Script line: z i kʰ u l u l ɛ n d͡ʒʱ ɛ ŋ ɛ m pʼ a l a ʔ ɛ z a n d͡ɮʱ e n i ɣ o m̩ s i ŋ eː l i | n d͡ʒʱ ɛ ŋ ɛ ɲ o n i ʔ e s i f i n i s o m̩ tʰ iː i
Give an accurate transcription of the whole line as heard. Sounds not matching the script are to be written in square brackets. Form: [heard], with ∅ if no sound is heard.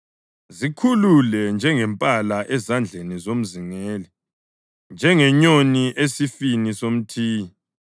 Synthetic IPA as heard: z i kʰ u l u l ɛ n d͡ʒʱ ɛ ŋ ɛ m pʼ a l a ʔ ɛ z a n d͡ɮʱ e n i [z] o m̩ [z] i ŋ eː l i | n d͡ʒʱ ɛ ŋ ɛ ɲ o n i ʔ e s i f i n i s o m̩ tʰ iː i